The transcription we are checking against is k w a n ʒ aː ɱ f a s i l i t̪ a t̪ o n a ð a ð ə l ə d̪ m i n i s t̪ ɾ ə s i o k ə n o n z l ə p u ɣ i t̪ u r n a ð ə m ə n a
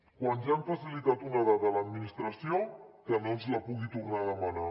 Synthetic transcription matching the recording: k w a n ʒ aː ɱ f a s i l i t̪ a t̪ u n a ð a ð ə l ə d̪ m i n i s t̪ ɾ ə s i o k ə n o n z l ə p u ɣ i t̪ u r n a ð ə m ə n a